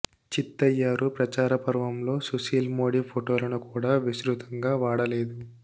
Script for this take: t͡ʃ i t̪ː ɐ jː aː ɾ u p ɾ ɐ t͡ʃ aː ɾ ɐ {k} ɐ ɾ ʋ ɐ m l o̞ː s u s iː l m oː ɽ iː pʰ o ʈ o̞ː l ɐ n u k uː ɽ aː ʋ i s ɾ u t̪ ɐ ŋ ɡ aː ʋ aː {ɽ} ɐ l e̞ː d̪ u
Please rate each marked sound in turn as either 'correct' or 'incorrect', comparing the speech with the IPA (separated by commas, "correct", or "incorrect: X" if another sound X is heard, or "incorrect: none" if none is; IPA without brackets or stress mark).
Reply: incorrect: p, correct